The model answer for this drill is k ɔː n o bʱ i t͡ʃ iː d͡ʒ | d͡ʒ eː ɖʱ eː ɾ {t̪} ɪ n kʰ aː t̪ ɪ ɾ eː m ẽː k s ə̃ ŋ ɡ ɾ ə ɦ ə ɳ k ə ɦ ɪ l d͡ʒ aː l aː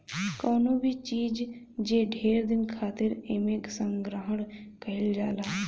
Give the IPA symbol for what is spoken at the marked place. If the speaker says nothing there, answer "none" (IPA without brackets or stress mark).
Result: d̪